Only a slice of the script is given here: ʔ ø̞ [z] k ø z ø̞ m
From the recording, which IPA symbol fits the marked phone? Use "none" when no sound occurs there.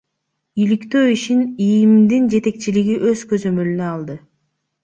z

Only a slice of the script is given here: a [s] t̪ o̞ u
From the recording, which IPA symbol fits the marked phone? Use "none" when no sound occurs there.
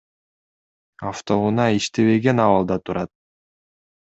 f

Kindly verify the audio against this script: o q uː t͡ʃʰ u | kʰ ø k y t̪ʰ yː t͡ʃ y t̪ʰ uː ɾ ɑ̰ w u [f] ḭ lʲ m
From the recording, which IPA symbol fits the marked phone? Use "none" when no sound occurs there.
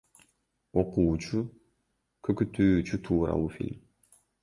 f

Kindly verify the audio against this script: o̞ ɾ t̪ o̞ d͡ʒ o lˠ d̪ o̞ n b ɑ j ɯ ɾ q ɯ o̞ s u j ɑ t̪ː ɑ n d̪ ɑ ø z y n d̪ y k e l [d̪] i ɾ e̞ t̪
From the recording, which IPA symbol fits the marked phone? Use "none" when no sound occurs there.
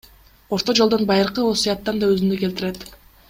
t̪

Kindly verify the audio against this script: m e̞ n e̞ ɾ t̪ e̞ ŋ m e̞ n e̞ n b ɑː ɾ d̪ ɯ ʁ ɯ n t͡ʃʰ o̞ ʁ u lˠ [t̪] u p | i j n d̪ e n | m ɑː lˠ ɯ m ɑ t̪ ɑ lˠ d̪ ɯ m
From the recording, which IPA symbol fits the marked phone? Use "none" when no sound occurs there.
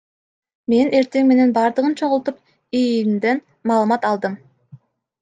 t̪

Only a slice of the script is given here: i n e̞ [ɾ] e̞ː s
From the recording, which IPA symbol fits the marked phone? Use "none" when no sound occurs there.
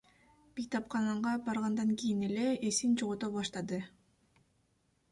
l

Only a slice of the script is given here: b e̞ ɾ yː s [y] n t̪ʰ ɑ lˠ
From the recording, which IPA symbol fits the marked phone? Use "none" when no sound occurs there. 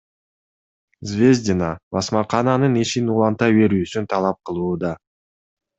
y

